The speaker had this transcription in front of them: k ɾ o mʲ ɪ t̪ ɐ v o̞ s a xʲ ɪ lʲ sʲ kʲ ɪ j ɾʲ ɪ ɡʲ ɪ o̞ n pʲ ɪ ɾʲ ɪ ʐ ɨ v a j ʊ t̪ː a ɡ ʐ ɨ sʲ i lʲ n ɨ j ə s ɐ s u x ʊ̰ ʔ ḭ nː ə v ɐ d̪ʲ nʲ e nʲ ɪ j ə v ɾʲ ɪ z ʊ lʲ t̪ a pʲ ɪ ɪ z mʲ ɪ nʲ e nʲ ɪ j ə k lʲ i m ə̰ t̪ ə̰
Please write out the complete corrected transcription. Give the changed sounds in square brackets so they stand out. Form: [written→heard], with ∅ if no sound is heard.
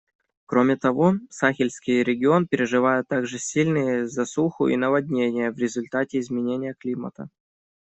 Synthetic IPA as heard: k ɾ o mʲ ɪ t̪ ɐ v o̞ s a xʲ ɪ lʲ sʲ kʲ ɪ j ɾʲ ɪ ɡʲ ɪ o̞ n pʲ ɪ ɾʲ ɪ ʐ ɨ v a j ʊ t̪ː a ɡ ʐ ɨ sʲ i lʲ n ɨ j ə [s→z] ɐ s u x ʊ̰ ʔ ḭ [nː→n] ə v ɐ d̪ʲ nʲ e nʲ ɪ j ə v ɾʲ ɪ z ʊ lʲ t̪ a [pʲ→tʲ] ɪ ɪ z mʲ ɪ nʲ e nʲ ɪ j ə k lʲ i m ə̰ t̪ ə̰